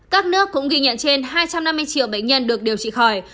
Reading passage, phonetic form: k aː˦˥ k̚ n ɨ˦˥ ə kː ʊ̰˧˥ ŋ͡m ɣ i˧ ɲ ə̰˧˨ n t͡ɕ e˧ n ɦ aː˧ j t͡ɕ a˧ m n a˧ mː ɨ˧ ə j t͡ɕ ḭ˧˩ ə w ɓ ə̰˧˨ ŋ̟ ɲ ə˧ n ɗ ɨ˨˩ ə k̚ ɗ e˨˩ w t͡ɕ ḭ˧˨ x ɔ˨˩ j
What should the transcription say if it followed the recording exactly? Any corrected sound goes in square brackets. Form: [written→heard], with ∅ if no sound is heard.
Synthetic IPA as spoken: k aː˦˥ k̚ n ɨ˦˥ ə kː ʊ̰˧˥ ŋ͡m ɣ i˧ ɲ ə̰˧˨ n t͡ɕ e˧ n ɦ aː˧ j t͡ɕ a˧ m n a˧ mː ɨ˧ ə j t͡ɕ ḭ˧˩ ə w ɓ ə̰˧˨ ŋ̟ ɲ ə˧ n ɗ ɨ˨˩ ə k̚ ɗ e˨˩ w t͡ɕ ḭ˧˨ x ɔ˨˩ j